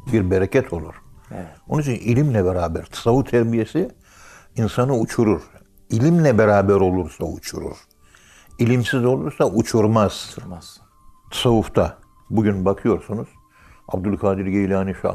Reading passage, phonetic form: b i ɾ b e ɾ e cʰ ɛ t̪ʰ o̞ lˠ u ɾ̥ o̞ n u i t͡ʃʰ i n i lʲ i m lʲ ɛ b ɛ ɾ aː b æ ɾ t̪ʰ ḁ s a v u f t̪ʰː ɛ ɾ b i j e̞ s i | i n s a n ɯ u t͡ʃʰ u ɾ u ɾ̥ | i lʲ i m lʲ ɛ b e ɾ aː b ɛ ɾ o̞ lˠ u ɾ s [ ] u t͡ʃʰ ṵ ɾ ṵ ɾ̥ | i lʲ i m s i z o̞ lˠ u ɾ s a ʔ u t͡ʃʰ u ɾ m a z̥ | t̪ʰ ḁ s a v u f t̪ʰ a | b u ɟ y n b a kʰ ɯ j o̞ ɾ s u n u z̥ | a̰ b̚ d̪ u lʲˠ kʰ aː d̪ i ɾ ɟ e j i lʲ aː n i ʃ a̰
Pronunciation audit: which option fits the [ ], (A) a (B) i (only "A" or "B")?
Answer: A